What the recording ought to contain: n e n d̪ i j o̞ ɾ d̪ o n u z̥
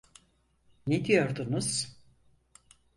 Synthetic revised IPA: n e d̪ i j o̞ ɾ d̪ u n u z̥